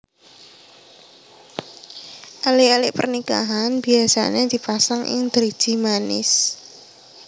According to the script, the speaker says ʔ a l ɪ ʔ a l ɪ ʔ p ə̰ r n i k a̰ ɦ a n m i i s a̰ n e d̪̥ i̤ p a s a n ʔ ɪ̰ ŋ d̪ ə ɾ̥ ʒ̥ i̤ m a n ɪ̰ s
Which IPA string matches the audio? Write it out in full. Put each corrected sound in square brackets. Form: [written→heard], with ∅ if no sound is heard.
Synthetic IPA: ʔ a l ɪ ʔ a l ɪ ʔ p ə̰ r n i k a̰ ɦ a n [m→b] i [i→a] s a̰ n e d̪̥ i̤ p a s a [n→ŋ] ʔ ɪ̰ ŋ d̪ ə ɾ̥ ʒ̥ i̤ m a n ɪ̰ s